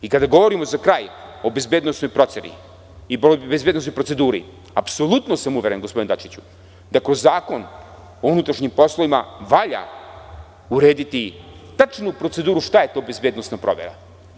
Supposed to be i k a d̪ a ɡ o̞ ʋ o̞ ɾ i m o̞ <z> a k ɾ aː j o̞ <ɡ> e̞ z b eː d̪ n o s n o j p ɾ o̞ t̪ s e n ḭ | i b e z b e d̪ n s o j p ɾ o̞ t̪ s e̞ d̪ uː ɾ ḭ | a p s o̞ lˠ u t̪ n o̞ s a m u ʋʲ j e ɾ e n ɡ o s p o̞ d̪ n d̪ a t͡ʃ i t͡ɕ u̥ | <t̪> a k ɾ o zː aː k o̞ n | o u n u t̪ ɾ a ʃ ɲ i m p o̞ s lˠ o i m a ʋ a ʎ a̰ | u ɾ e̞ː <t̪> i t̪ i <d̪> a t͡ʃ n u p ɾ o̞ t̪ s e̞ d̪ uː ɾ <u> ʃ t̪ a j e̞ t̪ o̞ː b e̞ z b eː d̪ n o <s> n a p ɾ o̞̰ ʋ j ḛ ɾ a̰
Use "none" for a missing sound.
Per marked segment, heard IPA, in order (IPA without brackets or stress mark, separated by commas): z, b, d̪, d̪, t̪, u, s